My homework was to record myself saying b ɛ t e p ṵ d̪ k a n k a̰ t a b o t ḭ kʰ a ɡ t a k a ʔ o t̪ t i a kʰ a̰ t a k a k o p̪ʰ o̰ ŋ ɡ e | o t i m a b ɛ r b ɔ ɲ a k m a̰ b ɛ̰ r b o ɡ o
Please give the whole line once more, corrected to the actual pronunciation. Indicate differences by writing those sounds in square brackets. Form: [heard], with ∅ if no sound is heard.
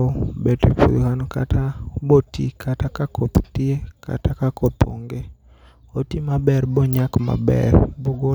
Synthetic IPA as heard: b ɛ t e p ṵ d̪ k a n k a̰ t a b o t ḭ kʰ a [∅] t a k a [k] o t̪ t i [e] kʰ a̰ t a k a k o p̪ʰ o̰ ŋ ɡ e | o t i m a b ɛ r b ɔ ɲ a k m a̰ b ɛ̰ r b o ɡ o